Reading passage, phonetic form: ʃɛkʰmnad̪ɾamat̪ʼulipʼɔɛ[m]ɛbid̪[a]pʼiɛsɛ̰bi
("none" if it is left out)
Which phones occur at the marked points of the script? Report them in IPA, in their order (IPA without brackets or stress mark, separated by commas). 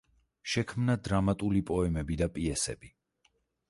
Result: m, a